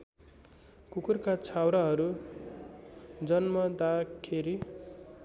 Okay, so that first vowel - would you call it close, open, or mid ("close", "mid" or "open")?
close